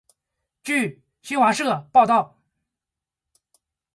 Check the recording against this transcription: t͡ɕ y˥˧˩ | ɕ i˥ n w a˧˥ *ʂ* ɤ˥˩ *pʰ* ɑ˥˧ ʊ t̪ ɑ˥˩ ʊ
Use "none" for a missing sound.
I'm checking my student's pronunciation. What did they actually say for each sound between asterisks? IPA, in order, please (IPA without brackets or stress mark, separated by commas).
ʂ, p